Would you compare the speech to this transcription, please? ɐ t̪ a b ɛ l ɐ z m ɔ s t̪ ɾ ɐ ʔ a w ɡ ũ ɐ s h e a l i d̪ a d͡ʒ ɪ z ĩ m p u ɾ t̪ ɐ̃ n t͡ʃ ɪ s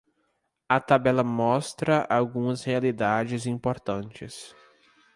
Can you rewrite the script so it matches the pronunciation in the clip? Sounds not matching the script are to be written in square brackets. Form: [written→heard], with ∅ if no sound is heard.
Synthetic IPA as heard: ɐ t̪ a b ɛ l ɐ [z→∅] m ɔ s t̪ ɾ ɐ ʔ a w ɡ ũ ɐ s h e a l i d̪ a d͡ʒ ɪ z ĩ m p [u→o] ɾ t̪ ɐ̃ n t͡ʃ ɪ s

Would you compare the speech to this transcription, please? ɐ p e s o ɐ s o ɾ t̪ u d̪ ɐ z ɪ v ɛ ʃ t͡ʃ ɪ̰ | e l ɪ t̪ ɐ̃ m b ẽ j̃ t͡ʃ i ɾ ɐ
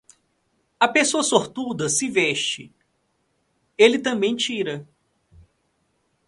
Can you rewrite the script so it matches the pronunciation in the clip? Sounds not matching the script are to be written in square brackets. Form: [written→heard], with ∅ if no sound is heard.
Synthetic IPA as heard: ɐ p e s o ɐ s o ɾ t̪ u d̪ ɐ [z→s] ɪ v ɛ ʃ t͡ʃ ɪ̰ | e l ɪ t̪ ɐ̃ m b ẽ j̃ t͡ʃ i ɾ ɐ

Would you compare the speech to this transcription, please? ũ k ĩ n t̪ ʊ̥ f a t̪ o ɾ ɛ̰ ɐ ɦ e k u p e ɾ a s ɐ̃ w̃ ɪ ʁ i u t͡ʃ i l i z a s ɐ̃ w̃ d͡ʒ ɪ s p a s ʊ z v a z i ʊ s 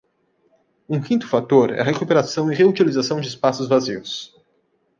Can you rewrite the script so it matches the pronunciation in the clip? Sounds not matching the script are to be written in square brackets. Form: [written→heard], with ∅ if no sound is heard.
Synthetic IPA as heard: ũ k ĩ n t̪ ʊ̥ f a t̪ o ɾ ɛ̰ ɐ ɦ e k u p e ɾ a s ɐ̃ w̃ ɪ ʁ [i→e] u t͡ʃ i l i z a s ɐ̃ w̃ d͡ʒ ɪ s p a s ʊ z v a z i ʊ s

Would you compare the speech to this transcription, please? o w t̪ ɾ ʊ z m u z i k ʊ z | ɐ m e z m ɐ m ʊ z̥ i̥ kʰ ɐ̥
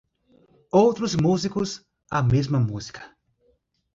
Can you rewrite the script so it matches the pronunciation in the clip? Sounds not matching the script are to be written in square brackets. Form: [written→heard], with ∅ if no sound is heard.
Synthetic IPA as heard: o w t̪ ɾ ʊ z m u z i k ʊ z | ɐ m e z m ɐ m [ʊ→u] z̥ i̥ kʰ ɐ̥

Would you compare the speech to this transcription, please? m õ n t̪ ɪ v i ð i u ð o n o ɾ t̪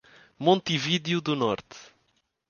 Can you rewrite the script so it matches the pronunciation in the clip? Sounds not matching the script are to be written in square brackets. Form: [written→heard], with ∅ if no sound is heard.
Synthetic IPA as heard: m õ n t̪ [ɪ→i] v i ð [i→j] u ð [o→u] n [o→ɔ] ɾ t̪

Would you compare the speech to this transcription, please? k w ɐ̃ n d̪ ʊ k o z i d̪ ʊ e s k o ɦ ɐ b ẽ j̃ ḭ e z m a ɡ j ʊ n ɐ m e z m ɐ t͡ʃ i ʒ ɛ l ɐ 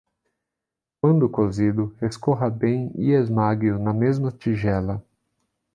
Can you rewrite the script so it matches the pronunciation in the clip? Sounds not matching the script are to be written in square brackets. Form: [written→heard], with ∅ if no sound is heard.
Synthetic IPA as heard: k w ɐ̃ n d̪ ʊ k o z i d̪ ʊ e s k o ɦ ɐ b ẽ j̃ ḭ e z m a ɡ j ʊ n ɐ m e z m ɐ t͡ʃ i ʒ ɛ l ɐ

